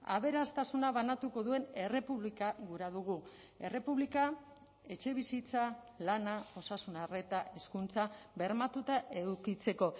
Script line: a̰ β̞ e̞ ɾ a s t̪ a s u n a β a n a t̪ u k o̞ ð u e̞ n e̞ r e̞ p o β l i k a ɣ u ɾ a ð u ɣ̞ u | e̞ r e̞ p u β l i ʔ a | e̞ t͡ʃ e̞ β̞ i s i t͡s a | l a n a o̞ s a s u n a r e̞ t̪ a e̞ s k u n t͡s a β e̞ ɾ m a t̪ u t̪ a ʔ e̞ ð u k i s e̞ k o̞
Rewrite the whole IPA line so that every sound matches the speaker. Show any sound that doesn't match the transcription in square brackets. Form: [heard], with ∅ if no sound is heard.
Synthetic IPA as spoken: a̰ β̞ e̞ ɾ a s t̪ a s u n a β a n a t̪ u k o̞ ð u e̞ n e̞ r e̞ p [u] β l i k a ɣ u ɾ a ð u ɣ̞ u | e̞ r e̞ p u β l i [k] a | e̞ t͡ʃ e̞ β̞ i s i t͡s a | l a n a o̞ s a s u n a r e̞ t̪ a e̞ s k u n t͡s a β e̞ ɾ m a t̪ u t̪ a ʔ e̞ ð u k i [t͡s] e̞ k o̞

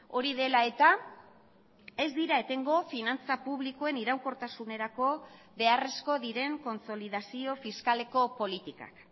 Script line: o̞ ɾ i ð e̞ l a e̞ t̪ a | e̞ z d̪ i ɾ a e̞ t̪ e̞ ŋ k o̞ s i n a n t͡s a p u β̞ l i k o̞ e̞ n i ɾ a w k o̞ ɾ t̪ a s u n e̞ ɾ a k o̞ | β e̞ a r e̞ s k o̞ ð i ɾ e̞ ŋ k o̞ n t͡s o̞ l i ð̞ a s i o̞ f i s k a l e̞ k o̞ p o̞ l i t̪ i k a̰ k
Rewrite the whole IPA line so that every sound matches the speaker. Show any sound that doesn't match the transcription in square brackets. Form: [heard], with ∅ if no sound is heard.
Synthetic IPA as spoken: o̞ ɾ i ð e̞ l a e̞ t̪ a | e̞ z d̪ i ɾ a e̞ t̪ e̞ ŋ [ɡ] o̞ [f] i n a n t͡s a p u β̞ l i k o̞ e̞ n i ɾ a w k o̞ ɾ t̪ a s u n e̞ ɾ a k o̞ | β e̞ a r e̞ s k o̞ ð i ɾ e̞ ŋ k o̞ n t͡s o̞ l i ð̞ a s i o̞ f i s k a l e̞ k o̞ p o̞ l i t̪ i k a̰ k

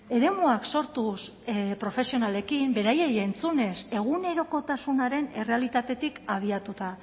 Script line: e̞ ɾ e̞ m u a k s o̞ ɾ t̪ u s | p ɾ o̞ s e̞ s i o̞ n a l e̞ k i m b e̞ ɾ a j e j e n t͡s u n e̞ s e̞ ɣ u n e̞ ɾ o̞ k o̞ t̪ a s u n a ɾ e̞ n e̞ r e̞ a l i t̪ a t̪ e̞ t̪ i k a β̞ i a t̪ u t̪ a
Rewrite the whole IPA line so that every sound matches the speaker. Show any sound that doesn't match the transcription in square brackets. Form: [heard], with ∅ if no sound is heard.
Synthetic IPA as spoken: e̞ ɾ e̞ m u a k s o̞ ɾ t̪ u s | p ɾ o̞ [f] e̞ s i o̞ n a l e̞ k i m b e̞ ɾ a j e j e n t͡s u n e̞ s e̞ ɣ u n e̞ ɾ o̞ k o̞ t̪ a s u n a ɾ e̞ n e̞ r e̞ a l i t̪ a t̪ e̞ t̪ i k a β̞ i a t̪ u t̪ a

